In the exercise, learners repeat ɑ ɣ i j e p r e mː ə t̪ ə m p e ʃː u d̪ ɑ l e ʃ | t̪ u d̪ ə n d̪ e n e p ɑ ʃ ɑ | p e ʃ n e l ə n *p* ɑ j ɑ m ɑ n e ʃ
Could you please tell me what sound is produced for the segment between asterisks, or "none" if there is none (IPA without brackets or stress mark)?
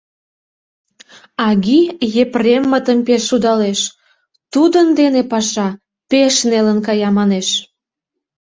k